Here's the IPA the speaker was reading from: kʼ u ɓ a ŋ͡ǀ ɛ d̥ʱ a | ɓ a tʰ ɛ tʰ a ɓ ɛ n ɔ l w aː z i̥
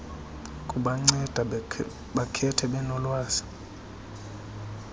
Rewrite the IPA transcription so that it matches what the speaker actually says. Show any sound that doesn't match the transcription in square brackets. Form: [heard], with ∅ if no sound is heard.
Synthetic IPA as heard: kʼ u ɓ a ŋ͡ǀ ɛ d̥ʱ a | ɓ a [kʰ] ɛ tʰ [ɛ] ɓ ɛ n ɔ l w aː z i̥